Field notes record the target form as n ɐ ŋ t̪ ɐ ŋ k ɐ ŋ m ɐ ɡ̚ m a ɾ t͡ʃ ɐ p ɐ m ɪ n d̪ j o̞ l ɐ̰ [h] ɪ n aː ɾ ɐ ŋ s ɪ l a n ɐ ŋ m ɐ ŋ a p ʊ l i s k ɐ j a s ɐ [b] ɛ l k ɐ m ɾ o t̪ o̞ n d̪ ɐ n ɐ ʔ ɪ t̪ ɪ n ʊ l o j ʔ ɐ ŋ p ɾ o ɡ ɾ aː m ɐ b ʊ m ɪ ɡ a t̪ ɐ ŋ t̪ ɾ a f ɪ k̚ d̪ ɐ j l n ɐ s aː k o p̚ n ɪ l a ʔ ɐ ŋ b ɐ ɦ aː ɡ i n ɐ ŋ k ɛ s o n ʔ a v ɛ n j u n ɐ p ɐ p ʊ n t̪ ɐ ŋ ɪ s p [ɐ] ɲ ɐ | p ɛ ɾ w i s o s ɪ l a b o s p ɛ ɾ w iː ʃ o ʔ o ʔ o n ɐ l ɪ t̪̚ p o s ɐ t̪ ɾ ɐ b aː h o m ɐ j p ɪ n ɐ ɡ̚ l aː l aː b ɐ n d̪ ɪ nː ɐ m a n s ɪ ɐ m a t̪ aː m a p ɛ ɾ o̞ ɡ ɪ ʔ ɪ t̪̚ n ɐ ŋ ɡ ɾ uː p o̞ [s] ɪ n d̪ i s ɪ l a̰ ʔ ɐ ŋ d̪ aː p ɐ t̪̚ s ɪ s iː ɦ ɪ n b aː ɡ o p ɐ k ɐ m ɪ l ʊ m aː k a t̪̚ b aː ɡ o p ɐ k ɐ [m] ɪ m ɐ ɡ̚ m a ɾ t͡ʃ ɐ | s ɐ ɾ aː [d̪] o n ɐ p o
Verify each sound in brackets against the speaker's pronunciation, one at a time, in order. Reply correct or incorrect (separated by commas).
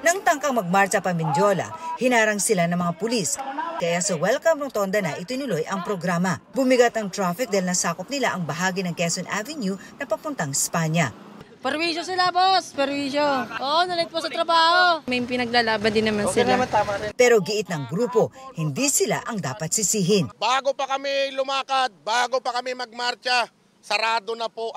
correct, incorrect, incorrect, incorrect, correct, correct